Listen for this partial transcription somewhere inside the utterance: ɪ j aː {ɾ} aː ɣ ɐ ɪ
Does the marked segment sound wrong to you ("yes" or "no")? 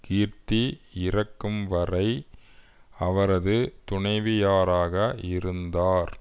no